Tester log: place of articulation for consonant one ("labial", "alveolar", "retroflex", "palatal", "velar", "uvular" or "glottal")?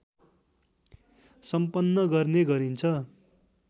alveolar